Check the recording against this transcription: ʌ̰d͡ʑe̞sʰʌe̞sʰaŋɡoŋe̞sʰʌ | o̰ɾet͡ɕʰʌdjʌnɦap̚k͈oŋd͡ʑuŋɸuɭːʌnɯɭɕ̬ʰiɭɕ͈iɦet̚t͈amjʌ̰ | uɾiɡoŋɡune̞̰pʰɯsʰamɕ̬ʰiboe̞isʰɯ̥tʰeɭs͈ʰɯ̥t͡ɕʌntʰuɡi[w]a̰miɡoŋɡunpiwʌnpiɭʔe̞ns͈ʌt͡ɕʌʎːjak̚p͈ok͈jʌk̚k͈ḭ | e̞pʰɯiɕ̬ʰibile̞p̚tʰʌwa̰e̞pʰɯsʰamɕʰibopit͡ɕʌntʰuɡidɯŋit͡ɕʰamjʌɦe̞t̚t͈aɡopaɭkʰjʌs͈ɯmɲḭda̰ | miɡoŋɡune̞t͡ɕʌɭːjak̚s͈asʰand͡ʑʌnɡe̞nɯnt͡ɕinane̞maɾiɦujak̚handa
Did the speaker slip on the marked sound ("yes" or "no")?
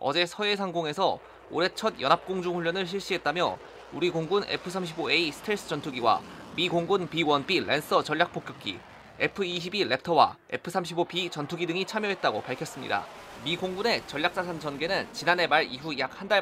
no